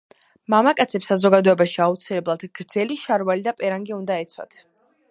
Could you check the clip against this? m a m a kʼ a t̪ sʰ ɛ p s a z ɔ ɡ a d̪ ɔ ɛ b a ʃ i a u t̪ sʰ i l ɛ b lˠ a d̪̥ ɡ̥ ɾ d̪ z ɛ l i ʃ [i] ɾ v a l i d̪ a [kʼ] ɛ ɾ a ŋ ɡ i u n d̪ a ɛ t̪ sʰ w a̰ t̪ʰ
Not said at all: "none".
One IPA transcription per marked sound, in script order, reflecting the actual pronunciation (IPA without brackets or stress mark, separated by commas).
a, pʼ